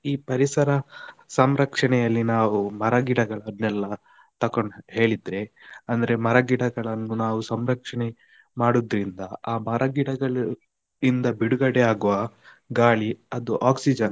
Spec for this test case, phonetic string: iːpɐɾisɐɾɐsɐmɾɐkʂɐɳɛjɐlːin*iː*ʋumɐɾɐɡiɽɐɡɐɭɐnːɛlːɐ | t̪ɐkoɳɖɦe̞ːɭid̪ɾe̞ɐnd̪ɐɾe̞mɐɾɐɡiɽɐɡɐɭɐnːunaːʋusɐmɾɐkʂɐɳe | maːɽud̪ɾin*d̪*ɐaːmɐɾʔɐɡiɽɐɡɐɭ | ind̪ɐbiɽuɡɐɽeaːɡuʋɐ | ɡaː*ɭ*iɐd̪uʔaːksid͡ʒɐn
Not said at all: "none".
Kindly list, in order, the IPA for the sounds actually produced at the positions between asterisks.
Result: aː, d̪, ɭ

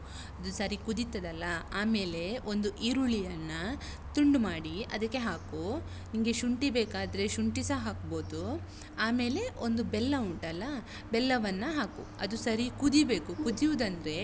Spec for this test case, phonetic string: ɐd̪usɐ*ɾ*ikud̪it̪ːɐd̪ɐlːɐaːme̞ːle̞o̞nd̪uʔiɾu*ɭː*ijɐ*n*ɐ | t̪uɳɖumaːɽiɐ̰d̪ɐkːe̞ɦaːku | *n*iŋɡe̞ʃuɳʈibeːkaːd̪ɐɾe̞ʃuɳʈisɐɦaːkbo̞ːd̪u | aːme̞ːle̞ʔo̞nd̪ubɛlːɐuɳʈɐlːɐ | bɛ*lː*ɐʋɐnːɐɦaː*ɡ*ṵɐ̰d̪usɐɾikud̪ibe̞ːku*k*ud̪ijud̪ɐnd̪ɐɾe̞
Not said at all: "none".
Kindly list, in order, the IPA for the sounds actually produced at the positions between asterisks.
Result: ɾ, ɭ, nː, n, lː, k, k

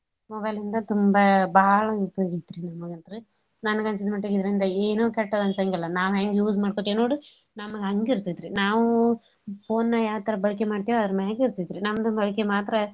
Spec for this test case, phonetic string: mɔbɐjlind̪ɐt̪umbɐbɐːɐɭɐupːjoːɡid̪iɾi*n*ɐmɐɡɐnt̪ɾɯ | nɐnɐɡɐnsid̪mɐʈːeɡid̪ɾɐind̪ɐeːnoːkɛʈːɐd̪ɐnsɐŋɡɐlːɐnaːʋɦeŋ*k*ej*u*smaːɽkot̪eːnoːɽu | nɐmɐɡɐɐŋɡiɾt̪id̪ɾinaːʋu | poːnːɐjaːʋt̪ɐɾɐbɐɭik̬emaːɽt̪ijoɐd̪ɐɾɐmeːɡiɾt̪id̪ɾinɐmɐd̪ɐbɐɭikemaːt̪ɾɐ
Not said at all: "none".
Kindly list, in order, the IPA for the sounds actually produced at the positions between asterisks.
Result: n, ɡ, uː

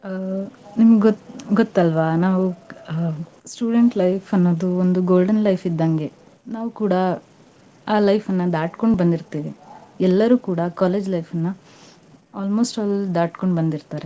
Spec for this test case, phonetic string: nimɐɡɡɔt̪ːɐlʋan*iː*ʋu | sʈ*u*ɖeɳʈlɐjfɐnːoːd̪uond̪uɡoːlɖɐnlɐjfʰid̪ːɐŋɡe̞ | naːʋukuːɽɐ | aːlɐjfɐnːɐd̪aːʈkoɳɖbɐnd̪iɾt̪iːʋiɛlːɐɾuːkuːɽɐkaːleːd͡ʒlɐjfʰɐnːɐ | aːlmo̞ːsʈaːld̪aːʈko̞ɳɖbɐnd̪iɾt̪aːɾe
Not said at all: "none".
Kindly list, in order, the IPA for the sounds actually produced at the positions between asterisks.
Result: aː, uː

